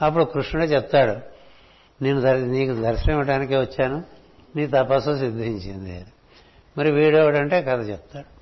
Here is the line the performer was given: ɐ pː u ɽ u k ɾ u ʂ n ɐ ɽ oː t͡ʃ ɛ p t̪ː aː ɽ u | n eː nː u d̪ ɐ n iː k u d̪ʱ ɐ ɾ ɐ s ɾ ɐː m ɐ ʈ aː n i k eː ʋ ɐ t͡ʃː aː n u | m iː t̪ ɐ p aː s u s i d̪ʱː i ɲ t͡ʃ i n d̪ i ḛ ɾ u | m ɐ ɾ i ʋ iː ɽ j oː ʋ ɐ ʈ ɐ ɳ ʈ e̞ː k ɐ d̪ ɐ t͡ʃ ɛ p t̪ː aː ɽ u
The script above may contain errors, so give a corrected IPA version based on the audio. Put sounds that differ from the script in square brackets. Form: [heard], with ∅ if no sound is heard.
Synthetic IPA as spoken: ɐ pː u ɽ u k ɾ u ʂ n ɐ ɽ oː t͡ʃ ɛ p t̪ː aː ɽ u | n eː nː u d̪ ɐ n iː k u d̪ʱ ɐ ɾ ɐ s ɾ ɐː m ɐ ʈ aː n i k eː ʋ ɐ t͡ʃː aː n u | [n] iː t̪ ɐ p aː s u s i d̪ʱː i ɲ t͡ʃ i n d̪ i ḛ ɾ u | m ɐ ɾ i ʋ iː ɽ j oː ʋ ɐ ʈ ɐ ɳ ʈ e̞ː k ɐ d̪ ɐ t͡ʃ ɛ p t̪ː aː ɽ u